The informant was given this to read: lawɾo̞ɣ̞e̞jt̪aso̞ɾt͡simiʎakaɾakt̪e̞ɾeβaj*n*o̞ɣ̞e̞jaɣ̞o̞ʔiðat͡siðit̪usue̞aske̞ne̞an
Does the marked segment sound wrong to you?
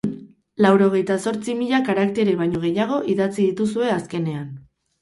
yes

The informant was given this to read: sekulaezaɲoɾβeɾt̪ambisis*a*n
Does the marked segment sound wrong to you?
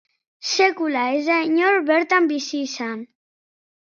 no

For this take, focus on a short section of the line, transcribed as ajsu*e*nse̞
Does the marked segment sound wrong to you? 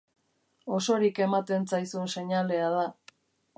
no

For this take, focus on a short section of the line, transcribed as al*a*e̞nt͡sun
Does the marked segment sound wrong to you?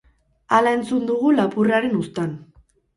no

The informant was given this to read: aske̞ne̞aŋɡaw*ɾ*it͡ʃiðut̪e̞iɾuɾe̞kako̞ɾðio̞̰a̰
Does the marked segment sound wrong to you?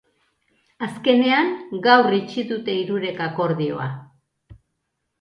yes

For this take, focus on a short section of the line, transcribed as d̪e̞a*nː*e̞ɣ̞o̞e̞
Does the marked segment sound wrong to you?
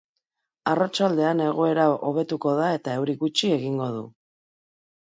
yes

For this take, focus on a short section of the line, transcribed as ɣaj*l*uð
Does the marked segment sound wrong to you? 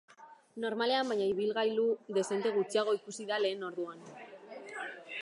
no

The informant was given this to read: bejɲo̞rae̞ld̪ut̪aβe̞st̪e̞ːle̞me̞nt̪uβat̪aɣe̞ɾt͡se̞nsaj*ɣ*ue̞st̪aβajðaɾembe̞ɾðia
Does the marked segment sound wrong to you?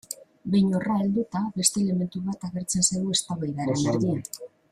no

